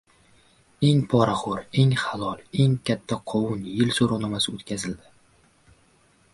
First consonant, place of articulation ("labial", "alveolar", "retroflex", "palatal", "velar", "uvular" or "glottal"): velar